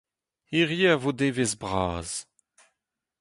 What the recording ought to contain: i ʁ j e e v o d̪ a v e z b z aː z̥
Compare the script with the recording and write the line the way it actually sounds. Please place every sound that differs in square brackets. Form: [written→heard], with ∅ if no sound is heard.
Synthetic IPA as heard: i ʁ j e [e→a] v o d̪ [a→e] v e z b [z→ʁ] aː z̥